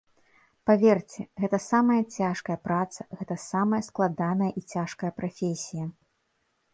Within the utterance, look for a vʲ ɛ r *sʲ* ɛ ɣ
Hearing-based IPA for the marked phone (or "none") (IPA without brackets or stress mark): t͡sʲ